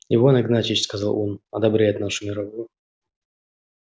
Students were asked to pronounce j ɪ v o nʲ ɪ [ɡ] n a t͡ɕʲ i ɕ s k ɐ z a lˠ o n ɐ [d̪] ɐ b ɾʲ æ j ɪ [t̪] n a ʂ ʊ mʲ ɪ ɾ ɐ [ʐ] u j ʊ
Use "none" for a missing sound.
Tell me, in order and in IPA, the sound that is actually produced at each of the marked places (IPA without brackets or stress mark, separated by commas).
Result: ɡ, d̪, t̪, v